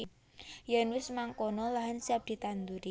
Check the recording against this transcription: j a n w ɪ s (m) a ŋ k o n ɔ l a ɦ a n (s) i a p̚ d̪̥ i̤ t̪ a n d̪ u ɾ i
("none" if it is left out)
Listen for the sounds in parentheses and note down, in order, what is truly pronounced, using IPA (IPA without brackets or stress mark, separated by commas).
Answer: m, s